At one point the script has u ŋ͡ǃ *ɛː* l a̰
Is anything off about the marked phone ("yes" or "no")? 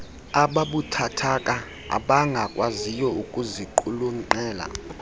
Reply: no